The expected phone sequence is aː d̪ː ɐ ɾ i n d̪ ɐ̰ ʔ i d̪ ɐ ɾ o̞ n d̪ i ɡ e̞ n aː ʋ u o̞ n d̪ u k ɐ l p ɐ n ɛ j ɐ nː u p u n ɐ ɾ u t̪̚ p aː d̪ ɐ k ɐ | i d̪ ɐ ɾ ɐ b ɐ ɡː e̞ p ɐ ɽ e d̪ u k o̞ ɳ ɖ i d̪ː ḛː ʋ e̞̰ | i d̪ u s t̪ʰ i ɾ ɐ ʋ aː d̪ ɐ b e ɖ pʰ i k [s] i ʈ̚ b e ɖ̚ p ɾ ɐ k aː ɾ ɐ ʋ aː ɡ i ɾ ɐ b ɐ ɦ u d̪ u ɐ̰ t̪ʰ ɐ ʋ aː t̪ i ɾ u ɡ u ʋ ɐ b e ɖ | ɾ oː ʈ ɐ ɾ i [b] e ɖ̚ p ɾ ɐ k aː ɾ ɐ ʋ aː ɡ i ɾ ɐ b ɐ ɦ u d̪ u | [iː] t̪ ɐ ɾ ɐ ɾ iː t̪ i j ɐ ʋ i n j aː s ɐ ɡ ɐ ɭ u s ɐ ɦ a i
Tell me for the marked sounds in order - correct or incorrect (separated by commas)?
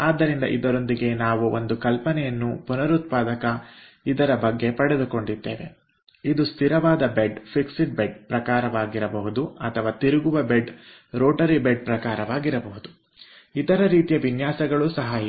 correct, correct, incorrect